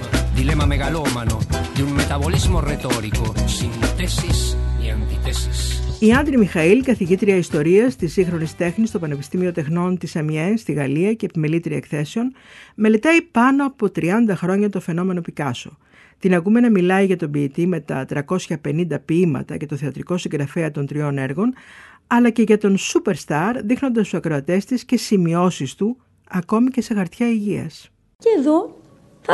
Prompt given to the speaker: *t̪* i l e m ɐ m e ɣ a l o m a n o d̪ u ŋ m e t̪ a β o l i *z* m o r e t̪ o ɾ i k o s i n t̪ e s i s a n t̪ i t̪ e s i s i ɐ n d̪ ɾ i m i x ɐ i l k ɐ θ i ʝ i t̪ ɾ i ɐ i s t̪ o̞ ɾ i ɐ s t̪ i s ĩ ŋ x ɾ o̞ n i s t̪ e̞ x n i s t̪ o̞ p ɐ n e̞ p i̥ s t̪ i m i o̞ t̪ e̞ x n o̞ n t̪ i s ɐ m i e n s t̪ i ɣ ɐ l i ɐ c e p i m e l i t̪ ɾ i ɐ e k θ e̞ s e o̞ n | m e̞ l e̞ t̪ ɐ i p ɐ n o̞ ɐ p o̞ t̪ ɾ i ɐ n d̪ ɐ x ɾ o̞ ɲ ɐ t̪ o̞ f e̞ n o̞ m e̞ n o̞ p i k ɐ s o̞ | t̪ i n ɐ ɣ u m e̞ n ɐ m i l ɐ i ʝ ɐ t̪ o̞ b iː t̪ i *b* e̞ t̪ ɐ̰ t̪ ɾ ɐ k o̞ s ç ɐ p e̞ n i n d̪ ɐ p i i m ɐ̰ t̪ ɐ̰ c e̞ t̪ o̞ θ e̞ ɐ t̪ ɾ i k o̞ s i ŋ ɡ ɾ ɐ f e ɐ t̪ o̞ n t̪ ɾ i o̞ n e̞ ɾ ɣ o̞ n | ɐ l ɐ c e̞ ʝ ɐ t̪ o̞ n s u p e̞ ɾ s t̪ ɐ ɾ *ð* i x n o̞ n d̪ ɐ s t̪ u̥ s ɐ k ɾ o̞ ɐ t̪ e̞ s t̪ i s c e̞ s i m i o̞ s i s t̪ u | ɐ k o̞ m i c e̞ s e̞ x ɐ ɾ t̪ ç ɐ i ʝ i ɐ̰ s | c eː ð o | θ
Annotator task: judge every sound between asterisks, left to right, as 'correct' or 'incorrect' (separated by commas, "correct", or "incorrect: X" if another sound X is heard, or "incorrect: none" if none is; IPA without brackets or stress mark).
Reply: incorrect: d̪, correct, incorrect: m, correct